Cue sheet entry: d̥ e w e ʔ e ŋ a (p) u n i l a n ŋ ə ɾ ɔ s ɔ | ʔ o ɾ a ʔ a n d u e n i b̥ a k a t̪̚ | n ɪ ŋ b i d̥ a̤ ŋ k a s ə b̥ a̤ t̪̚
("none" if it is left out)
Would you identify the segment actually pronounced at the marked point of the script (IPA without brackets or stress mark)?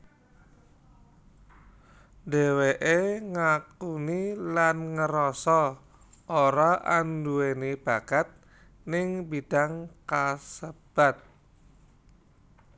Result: k